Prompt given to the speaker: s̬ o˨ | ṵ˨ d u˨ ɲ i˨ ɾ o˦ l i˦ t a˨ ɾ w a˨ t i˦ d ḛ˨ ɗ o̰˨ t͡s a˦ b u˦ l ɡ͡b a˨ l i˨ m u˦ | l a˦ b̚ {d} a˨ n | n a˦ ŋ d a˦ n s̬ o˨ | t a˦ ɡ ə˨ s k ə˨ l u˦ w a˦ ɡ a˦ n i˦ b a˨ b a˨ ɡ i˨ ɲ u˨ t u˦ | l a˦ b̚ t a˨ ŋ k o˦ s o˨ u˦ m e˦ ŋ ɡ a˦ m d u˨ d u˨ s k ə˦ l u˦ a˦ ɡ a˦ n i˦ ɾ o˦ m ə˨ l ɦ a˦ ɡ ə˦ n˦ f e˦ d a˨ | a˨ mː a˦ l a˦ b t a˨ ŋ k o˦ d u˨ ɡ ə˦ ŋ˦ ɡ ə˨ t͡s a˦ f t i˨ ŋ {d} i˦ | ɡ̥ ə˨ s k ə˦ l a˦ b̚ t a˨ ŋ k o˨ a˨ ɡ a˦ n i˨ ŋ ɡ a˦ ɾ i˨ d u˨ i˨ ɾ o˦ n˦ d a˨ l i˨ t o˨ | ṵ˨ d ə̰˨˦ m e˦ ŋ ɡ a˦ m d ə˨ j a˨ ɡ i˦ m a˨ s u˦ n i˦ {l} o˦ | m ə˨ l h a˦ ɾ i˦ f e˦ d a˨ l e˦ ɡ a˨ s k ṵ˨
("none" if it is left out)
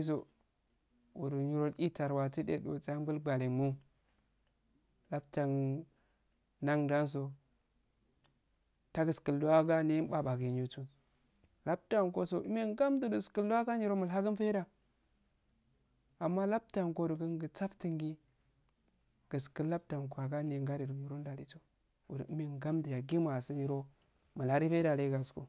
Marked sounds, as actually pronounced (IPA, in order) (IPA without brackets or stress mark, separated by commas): t, ɡ, ɾ